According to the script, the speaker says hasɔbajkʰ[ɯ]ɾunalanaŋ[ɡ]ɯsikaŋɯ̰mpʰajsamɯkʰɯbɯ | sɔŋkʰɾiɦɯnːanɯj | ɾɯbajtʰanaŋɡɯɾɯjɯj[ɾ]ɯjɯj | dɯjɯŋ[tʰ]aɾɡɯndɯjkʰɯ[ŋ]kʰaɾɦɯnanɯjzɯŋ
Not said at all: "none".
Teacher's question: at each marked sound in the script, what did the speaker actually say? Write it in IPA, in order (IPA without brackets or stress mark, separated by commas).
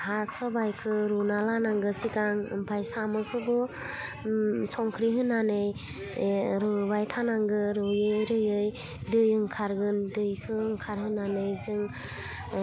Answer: ɯ, ɡ, ɾ, kʰ, ŋ